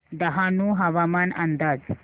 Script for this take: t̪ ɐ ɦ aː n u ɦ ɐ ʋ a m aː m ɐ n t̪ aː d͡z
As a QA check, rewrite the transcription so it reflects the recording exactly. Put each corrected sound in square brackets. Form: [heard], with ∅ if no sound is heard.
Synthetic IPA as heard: [d̪] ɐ ɦ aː n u ɦ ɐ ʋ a m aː [n] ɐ n [d̪] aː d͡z